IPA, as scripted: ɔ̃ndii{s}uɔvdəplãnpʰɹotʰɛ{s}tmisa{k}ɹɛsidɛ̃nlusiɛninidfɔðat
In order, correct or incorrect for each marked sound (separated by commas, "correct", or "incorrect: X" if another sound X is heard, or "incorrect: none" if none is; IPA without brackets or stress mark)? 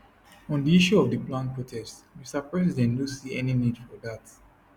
incorrect: ʃ, correct, incorrect: p